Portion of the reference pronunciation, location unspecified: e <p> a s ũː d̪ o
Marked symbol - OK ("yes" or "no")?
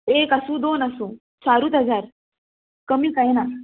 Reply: no